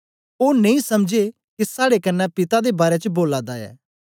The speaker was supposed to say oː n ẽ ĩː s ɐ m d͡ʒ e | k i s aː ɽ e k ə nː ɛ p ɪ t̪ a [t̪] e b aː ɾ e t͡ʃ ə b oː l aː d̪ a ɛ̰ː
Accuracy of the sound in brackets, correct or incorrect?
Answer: incorrect